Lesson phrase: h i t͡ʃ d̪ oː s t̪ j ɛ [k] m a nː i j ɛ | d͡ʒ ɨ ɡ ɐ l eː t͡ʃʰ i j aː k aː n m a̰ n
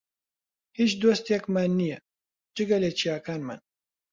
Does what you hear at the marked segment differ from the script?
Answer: no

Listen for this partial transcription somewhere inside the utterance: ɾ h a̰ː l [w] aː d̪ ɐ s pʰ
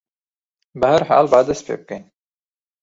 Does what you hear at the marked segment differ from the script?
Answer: yes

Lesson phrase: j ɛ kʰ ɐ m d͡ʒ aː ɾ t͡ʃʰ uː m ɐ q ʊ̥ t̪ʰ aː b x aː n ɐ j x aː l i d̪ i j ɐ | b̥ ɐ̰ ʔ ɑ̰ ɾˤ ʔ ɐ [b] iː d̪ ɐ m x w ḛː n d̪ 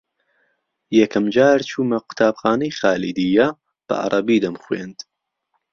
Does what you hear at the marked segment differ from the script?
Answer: no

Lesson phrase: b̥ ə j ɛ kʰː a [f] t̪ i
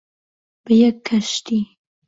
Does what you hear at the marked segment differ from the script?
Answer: yes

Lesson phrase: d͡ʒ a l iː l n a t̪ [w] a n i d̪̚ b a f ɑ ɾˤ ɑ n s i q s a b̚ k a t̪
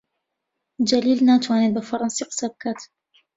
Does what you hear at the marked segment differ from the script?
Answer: no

